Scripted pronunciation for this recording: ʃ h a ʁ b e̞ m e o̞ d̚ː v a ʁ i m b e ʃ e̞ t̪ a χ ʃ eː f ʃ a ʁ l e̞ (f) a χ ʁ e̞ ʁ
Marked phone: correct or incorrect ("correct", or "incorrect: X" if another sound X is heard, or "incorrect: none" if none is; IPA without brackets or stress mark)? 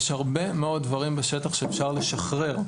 incorrect: ʃ